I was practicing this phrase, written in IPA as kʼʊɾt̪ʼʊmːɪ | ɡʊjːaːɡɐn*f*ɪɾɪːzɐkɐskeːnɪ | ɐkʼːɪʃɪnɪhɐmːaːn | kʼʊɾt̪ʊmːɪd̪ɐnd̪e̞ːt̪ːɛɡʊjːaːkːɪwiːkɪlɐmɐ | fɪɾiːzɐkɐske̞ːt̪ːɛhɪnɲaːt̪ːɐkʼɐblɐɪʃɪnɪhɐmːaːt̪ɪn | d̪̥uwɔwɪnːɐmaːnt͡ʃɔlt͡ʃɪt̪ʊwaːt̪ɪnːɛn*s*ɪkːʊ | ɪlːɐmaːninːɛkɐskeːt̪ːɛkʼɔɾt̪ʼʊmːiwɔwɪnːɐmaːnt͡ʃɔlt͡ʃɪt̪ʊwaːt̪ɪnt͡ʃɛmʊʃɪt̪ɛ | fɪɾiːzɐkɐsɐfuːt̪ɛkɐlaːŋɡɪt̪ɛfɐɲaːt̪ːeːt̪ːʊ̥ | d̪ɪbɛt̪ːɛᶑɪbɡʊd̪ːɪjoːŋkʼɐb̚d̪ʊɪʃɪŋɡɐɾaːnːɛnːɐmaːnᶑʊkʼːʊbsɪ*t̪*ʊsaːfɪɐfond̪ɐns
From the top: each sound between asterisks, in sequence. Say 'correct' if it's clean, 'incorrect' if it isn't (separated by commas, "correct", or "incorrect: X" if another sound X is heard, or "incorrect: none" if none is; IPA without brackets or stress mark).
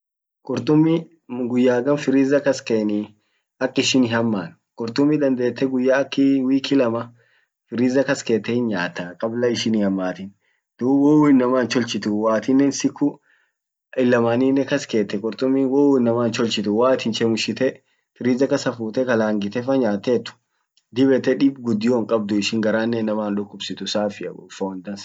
correct, correct, correct